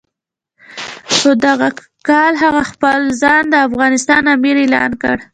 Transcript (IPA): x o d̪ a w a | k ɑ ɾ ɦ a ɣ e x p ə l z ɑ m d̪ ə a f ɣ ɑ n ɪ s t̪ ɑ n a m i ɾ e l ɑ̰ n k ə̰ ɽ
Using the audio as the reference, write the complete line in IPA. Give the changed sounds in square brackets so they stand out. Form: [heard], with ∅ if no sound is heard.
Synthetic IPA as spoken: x o d̪ a [ɣ] a | k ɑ [l] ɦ a ɣ [a] x p ə l z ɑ [n] d̪ ə a f ɣ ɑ n ɪ s t̪ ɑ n a m i ɾ e l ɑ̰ n k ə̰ ɽ